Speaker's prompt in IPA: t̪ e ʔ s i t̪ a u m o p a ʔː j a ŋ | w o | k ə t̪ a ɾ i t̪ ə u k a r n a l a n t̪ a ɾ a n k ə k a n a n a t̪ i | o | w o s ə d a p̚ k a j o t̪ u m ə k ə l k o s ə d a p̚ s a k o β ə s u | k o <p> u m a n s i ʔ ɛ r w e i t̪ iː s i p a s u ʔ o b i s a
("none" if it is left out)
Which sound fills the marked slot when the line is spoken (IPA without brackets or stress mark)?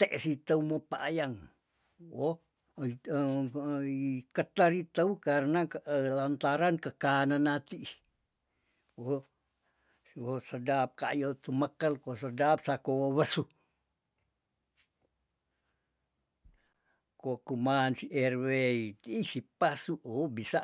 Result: k